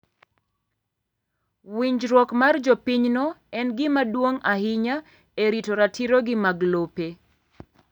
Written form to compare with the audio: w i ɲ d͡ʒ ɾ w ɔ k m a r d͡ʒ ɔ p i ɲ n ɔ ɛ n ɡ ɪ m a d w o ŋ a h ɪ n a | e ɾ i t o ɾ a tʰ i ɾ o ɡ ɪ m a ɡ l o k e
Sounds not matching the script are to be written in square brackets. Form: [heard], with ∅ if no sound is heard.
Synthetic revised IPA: w i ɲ d͡ʒ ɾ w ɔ k m a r d͡ʒ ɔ p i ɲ n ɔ ɛ n ɡ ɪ m a d w o ŋ a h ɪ [ɲ] a | e ɾ i t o ɾ a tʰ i ɾ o ɡ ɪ m a ɡ l o [p] e